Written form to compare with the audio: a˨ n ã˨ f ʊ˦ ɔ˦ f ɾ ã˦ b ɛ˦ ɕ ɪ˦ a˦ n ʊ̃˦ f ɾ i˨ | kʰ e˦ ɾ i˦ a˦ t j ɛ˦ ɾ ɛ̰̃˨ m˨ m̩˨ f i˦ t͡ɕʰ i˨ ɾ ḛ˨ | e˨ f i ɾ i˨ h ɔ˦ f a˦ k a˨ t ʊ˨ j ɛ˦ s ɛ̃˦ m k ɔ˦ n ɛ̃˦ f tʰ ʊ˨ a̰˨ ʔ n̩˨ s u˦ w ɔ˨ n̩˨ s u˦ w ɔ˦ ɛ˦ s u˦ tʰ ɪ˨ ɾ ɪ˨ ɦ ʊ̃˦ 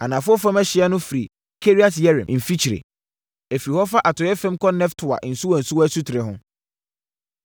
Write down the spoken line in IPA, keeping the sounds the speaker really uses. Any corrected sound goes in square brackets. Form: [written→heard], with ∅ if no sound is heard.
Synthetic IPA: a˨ n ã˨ f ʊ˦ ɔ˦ f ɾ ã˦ [b→m] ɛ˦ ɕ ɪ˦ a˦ n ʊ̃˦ f ɾ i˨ | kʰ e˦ ɾ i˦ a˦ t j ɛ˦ ɾ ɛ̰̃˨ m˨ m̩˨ f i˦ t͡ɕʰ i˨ ɾ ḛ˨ | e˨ f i ɾ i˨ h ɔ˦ f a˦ [k→ʔ] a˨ t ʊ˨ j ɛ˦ [s→f] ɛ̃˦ m k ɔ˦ n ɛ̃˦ f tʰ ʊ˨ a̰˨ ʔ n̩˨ s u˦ w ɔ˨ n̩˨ s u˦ w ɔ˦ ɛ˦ s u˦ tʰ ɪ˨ ɾ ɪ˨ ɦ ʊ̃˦